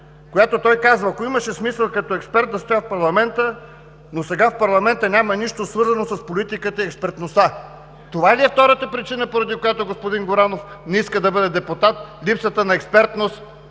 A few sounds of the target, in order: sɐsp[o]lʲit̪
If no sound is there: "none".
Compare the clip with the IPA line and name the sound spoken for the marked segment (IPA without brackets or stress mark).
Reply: o